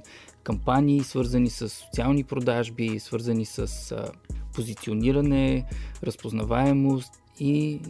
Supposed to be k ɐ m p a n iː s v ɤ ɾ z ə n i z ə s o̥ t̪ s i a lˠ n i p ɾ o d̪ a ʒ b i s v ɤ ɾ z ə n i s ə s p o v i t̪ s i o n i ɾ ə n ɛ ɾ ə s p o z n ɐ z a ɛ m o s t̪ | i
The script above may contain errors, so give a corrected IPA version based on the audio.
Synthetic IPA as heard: k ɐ m p a n iː s v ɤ ɾ z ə n i s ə sː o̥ t̪ s i a lˠ n i p ɾ o d̪ a ʒ b i s v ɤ ɾ z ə n i s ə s p o z i t̪ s i o n i ɾ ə n ɛ ɾ ə s p o z n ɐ v a ɛ m o s t̪ | i